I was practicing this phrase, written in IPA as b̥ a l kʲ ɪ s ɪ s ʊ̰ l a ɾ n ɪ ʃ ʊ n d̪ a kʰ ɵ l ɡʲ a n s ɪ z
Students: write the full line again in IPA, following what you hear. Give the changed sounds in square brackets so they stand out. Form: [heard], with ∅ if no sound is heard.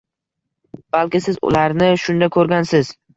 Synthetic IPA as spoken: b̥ a l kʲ ɪ s ɪ [z] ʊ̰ l a ɾ n ɪ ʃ ʊ n d̪ a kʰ ɵ [ɾ] ɡʲ a n s ɪ z